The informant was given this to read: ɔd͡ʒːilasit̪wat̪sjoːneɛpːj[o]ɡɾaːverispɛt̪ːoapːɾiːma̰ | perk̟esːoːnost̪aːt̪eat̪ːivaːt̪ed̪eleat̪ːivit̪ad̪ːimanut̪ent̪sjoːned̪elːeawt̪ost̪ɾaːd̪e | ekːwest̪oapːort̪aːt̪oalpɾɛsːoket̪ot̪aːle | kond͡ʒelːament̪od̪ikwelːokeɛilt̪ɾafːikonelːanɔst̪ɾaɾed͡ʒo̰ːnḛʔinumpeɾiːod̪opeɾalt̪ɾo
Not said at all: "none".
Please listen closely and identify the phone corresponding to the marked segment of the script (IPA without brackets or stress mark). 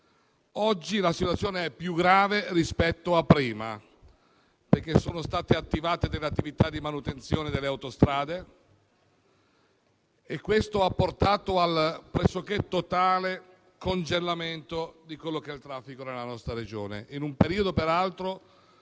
u